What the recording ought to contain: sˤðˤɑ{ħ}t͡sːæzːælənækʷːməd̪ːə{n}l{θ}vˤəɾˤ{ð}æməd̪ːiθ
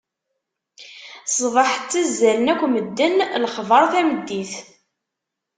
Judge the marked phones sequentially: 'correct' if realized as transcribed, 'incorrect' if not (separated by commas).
correct, correct, incorrect, incorrect